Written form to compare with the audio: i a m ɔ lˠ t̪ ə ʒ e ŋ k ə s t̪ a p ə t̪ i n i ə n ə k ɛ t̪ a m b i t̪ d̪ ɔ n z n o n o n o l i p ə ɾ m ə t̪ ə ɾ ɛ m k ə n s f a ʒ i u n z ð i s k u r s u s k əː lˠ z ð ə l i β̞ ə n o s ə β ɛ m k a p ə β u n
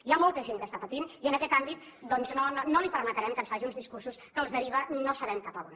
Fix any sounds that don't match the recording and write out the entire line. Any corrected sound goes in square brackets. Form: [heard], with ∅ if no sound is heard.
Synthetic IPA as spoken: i a m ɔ lˠ t̪ ə ʒ e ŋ k ə s t̪ a p ə t̪ i n i ə n ə k ɛ t̪ a m b i t̪ d̪ ɔ n z n o n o n o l i p ə ɾ m ə t̪ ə ɾ ɛ m k ə n s f a ʒ i u n z ð i s k u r s u s k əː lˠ z ð ə [ɾ] i β̞ ə n o s ə β ɛ m k a p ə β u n